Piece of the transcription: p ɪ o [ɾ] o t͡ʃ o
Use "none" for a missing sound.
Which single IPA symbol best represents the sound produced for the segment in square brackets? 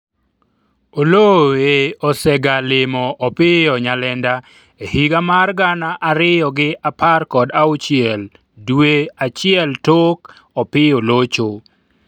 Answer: l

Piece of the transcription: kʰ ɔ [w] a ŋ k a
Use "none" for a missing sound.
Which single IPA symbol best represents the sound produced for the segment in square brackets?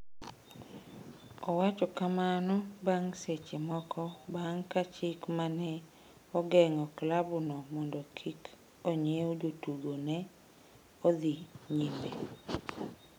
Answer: b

